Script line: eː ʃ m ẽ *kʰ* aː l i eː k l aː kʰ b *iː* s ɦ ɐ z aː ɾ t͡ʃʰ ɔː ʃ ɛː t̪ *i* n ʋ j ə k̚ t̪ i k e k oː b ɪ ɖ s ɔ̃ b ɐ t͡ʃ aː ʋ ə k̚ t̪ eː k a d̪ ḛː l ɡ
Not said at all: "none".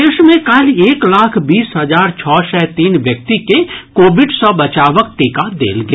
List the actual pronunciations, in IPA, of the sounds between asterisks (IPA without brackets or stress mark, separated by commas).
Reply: k, iː, iː